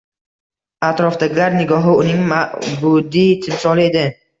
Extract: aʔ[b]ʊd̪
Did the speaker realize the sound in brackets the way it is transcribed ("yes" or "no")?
yes